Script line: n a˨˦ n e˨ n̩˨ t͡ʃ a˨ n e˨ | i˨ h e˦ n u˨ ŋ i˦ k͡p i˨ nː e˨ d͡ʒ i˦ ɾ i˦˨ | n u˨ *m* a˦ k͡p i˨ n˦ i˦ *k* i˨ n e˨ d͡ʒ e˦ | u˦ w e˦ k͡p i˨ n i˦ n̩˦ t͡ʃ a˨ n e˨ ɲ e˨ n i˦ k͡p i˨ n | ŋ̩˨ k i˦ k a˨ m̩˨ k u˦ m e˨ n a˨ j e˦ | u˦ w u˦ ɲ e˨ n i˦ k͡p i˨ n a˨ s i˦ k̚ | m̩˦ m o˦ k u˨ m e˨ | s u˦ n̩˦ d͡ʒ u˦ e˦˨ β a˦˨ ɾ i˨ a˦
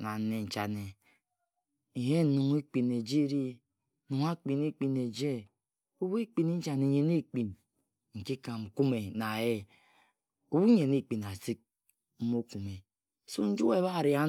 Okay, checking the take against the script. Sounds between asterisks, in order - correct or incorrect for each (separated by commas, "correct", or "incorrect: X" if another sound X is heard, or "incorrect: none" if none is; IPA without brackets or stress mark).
incorrect: ŋ, incorrect: k͡p